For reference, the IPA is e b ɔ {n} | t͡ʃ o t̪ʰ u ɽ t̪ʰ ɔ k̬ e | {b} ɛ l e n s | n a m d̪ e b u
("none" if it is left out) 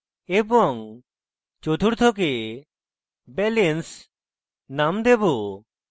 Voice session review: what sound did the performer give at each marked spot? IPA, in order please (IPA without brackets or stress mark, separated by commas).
ŋ, b